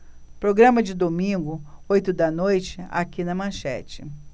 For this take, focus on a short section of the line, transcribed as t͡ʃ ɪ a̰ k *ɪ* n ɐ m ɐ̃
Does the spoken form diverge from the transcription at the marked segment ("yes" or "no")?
yes